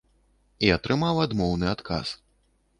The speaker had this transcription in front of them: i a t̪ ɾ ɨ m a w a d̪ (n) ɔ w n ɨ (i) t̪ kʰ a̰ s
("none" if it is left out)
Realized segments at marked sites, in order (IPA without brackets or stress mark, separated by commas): m, a